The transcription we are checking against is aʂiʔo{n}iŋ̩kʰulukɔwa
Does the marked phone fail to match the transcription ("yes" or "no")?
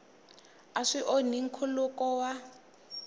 no